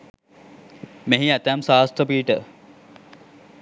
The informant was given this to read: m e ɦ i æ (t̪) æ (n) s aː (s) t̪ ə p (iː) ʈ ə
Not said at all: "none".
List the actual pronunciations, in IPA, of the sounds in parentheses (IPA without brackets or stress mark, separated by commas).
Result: t̪, m, s, iː